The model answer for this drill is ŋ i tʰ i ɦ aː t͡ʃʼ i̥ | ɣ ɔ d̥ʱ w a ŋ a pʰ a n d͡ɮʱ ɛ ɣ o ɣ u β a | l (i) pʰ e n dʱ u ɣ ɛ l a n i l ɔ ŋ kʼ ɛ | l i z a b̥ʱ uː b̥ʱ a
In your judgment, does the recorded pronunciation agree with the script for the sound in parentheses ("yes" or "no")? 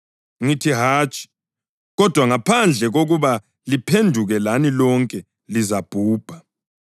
yes